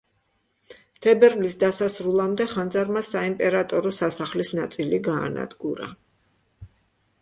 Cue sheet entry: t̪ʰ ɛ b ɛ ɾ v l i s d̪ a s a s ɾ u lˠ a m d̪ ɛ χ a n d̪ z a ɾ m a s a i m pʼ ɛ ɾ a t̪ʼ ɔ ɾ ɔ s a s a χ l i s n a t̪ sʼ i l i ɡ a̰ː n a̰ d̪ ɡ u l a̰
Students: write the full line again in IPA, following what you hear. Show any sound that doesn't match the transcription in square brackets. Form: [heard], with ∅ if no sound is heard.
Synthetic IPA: t̪ʰ ɛ b ɛ ɾ v l i s d̪ a s a s ɾ u lˠ a m d̪ ɛ χ a n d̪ z a ɾ m a s a i m pʼ ɛ ɾ a t̪ʼ ɔ ɾ ɔ s a s a χ l i s n a t̪ sʼ i l i ɡ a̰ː n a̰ d̪ ɡ u [ɾ] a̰

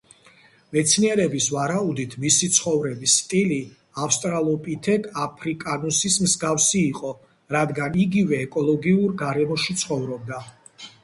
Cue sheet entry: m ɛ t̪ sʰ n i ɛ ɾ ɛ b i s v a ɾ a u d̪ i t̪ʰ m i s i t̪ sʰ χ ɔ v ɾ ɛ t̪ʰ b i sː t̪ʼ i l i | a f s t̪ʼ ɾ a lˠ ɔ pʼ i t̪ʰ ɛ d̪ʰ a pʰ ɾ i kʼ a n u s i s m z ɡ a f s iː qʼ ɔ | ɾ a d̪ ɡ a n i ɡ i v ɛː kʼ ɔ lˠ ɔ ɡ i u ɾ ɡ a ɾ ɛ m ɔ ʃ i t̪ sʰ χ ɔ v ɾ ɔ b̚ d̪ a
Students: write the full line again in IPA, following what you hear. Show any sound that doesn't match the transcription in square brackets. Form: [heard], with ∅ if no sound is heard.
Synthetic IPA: m ɛ t̪ sʰ n i ɛ ɾ ɛ b i s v a ɾ a u d̪ i t̪ʰ m i s i t̪ sʰ χ ɔ v ɾ ɛ [∅] b i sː t̪ʼ i l i | a f s t̪ʼ ɾ a lˠ ɔ pʼ i t̪ʰ ɛ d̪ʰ a pʰ ɾ i kʼ a n u s i s m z ɡ a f s iː qʼ ɔ | ɾ a d̪ ɡ a n i ɡ i v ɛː kʼ ɔ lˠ ɔ ɡ i u ɾ ɡ a ɾ ɛ m ɔ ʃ i t̪ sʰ χ ɔ v ɾ ɔ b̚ d̪ a

